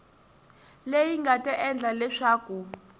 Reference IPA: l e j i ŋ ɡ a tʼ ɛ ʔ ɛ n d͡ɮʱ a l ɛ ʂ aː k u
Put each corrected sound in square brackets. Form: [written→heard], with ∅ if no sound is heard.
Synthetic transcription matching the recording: l e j i ŋ ɡ a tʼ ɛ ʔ ɛ n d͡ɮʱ a l ɛ ʂ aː k u